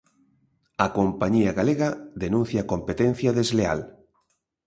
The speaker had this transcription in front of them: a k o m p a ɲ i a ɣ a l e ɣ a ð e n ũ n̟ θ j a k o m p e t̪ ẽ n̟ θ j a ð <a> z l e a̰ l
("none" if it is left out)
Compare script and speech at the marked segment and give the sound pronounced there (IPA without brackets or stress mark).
e